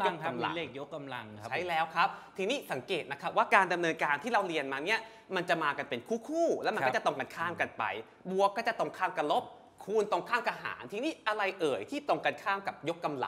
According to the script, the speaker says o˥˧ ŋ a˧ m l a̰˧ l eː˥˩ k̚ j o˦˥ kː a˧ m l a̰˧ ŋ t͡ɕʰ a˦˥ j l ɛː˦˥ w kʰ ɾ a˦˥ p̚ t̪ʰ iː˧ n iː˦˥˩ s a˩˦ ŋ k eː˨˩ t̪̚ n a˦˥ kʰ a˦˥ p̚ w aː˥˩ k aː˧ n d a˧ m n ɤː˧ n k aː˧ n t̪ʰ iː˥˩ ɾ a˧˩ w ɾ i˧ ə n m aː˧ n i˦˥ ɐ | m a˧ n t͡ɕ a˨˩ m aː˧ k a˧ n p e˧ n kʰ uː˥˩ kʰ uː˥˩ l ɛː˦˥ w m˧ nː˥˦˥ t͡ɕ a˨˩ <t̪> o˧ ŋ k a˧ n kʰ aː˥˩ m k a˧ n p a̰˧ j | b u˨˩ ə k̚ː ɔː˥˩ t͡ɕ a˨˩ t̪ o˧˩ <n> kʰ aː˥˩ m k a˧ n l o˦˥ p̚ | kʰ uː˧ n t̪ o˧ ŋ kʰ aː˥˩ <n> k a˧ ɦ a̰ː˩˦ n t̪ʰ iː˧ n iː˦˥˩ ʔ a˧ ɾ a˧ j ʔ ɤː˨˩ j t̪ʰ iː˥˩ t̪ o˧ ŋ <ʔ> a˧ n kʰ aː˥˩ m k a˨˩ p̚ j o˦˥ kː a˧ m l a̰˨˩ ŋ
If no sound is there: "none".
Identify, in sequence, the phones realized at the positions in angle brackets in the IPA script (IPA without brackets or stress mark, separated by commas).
t̪, ŋ, m, k